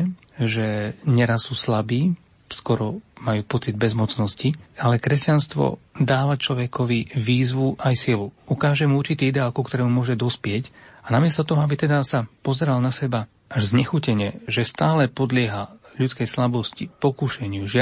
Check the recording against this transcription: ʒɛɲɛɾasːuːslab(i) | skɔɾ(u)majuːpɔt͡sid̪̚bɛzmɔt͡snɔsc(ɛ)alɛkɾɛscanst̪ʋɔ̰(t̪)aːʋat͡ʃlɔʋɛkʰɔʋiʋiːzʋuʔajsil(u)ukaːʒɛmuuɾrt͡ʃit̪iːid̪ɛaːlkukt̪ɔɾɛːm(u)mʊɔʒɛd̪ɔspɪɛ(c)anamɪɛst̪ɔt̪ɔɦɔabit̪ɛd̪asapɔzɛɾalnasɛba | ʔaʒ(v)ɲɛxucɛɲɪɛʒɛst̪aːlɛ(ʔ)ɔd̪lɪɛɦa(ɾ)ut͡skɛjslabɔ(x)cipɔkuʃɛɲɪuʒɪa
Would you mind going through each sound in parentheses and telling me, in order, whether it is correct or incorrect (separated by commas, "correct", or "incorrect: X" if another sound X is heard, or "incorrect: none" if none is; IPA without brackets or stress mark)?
incorrect: iː, incorrect: ɔ, incorrect: i, incorrect: d̪, correct, correct, correct, incorrect: z, incorrect: p, incorrect: ʎ, incorrect: s